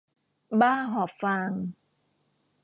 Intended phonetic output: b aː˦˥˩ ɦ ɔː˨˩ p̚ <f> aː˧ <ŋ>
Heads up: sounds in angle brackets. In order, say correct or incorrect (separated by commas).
correct, correct